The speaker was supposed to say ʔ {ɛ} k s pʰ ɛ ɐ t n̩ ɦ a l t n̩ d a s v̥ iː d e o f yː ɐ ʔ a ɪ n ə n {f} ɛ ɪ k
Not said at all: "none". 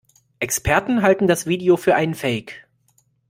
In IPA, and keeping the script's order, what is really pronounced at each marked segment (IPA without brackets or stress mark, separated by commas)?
ɛ, f